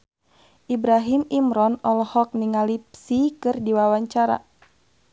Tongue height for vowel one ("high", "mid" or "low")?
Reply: high